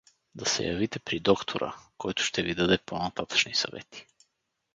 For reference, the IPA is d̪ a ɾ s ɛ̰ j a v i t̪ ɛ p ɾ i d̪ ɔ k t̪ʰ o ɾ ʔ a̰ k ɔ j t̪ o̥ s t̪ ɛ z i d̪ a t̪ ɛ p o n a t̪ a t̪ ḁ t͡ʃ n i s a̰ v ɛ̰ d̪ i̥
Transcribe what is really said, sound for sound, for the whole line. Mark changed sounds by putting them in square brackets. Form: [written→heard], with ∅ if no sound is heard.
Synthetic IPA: d̪ a [ɾ→∅] s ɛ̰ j a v i t̪ ɛ p ɾ i d̪ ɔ k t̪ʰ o ɾ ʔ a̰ k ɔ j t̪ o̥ [s→ʃ] t̪ ɛ [z→v] i d̪ a [t̪→d̪] ɛ p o n a t̪ a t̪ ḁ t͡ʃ n i s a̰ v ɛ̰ [d̪→t̪] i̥